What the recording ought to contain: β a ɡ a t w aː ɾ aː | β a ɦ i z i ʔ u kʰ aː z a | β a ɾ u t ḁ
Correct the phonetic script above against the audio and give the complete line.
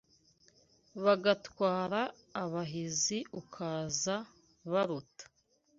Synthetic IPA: β a ɡ a t w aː ɾ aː | β a ɦ i z i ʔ u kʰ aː z a | β a ɾ u t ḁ